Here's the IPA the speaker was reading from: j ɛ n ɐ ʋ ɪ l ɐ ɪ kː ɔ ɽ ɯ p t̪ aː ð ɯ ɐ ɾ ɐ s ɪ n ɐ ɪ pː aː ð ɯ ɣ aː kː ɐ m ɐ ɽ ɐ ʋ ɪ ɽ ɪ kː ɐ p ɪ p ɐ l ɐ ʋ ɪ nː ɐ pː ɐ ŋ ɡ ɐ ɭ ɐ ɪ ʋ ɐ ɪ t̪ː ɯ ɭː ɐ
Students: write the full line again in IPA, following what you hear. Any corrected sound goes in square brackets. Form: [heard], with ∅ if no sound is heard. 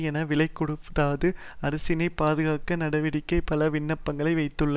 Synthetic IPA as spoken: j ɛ n ɐ ʋ ɪ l ɐ ɪ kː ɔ ɽ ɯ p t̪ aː ð ɯ ɐ ɾ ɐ s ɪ n ɐ ɪ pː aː ð ɯ ɣ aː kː ɐ [n] ɐ ɽ ɐ ʋ ɪ ɽ ɪ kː ɐ [∅] ɪ p ɐ l ɐ ʋ ɪ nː ɐ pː ɐ ŋ ɡ ɐ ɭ ɐ ɪ ʋ ɐ ɪ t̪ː ɯ ɭː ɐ

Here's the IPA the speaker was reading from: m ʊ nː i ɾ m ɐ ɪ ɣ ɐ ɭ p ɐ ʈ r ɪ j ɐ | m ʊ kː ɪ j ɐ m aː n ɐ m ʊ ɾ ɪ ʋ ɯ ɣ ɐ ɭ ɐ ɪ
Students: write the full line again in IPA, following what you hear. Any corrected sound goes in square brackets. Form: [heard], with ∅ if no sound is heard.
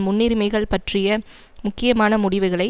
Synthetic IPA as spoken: m ʊ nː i ɾ m ɐ ɪ ɣ ɐ ɭ p ɐ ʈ r ɪ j ɐ | m ʊ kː ɪ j ɐ m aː n ɐ m ʊ [ɽ] ɪ ʋ ɯ ɣ ɐ ɭ ɐ ɪ

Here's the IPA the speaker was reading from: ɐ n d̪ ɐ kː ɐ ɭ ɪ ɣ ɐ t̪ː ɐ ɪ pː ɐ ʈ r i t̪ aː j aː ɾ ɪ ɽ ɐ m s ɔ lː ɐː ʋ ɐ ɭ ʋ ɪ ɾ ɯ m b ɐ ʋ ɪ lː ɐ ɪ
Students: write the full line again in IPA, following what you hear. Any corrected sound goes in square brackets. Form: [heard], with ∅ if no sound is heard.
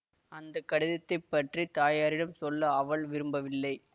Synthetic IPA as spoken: ɐ n d̪ ɐ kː ɐ [ɽ] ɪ [ð] ɐ t̪ː ɐ ɪ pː ɐ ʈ r i t̪ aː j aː ɾ ɪ ɽ ɐ m s ɔ lː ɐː ʋ ɐ ɭ ʋ ɪ ɾ ɯ m b ɐ ʋ ɪ lː ɐ ɪ

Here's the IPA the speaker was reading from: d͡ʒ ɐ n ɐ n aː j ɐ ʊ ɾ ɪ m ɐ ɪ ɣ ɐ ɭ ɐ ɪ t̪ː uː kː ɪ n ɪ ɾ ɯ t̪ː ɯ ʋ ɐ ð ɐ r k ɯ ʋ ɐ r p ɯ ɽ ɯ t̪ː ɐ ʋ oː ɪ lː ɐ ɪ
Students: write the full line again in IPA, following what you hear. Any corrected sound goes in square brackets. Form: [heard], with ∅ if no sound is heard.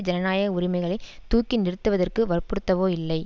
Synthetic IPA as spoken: d͡ʒ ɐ n ɐ n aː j ɐ ʊ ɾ ɪ m ɐ ɪ ɣ ɐ ɭ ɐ ɪ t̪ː uː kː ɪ n ɪ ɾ ɯ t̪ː ɯ ʋ ɐ ð ɐ r k ɯ ʋ ɐ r p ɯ ɽ ɯ t̪ː ɐ ʋ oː ɪ lː ɐ ɪ

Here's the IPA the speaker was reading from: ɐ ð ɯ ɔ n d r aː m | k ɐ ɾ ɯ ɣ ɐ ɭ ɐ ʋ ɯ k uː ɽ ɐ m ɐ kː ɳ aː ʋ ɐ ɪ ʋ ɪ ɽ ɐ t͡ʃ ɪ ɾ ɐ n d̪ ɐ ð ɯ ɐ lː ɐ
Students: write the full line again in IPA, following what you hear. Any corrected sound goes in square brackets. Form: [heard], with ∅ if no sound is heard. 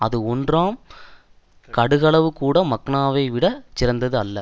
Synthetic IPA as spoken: ɐ ð ɯ ɔ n d r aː m | k ɐ [ɽ] ɯ ɣ ɐ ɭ ɐ ʋ ɯ k uː ɽ ɐ m ɐ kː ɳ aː ʋ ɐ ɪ ʋ ɪ ɽ ɐ t͡ʃ ɪ ɾ ɐ n d̪ ɐ ð ɯ ɐ lː ɐ

